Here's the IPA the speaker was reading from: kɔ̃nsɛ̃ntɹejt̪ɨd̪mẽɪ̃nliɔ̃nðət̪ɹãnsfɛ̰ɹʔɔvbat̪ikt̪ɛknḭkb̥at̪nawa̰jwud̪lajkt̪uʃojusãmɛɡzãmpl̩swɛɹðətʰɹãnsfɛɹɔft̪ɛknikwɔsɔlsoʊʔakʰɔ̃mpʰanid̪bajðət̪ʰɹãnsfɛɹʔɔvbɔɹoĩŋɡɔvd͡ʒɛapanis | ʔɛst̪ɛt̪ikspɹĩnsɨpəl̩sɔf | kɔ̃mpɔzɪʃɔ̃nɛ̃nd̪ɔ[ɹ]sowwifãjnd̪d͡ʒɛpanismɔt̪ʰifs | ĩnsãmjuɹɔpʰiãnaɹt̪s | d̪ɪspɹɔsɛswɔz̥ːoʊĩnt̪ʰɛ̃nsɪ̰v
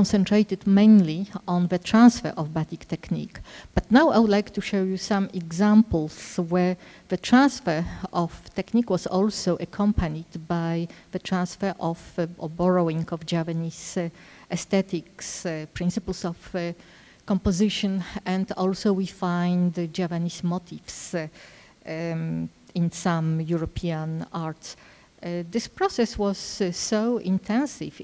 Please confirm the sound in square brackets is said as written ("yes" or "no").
no